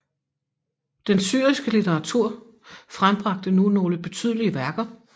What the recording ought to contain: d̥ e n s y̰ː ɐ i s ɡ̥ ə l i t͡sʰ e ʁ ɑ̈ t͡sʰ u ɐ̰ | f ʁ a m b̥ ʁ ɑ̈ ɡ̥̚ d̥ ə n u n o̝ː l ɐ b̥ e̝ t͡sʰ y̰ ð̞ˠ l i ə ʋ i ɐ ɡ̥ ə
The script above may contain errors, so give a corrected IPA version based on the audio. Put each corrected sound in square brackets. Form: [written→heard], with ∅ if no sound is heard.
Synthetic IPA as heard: d̥ e n s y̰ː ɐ i s ɡ̥ ə l i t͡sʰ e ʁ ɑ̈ t͡sʰ u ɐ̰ | f ʁ a m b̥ ʁ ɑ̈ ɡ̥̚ d̥ ə n u n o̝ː l [ɐ→ə] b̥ e̝ t͡sʰ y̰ ð̞ˠ l i ə ʋ [i→æ] ɐ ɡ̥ [ə→ɐ]